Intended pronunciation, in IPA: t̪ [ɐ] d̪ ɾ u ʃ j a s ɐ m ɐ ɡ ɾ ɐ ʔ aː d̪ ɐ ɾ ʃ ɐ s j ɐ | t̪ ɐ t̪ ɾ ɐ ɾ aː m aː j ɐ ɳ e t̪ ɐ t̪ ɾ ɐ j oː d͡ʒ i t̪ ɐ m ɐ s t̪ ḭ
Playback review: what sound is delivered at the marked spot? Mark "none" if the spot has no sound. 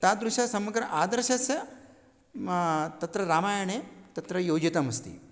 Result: a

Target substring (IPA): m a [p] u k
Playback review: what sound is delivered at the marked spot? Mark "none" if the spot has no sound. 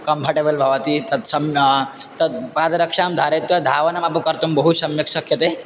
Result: p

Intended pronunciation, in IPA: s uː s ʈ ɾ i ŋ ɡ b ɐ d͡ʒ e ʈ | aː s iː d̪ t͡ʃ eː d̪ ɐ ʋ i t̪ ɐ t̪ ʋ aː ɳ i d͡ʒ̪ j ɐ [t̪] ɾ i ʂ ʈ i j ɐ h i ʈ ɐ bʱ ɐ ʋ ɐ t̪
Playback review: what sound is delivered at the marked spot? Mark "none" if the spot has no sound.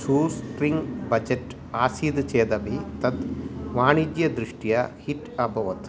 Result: d̪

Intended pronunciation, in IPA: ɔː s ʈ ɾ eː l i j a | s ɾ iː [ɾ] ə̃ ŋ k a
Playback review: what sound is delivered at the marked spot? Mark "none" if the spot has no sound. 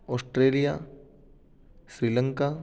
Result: l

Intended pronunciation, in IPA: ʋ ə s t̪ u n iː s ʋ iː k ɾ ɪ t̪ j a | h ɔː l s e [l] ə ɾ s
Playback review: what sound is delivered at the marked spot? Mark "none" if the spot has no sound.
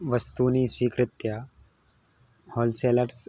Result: l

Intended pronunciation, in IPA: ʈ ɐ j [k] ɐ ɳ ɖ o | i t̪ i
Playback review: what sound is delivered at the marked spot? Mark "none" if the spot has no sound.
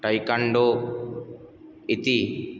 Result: k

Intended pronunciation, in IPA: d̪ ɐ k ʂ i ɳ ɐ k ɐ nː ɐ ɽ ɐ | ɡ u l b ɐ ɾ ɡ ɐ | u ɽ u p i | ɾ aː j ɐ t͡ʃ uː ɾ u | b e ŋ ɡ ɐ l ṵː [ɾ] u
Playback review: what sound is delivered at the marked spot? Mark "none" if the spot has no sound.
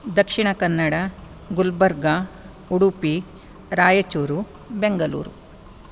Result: ɾ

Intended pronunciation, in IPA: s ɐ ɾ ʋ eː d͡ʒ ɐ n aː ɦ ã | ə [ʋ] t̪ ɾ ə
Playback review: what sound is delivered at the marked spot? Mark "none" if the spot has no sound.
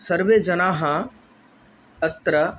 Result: none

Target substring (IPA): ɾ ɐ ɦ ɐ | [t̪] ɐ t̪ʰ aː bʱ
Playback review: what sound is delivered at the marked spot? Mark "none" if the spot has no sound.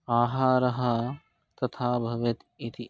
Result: t̪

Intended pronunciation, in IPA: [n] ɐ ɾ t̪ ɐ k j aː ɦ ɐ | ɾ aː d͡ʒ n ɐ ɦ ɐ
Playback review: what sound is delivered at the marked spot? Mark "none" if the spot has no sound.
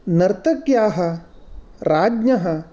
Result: n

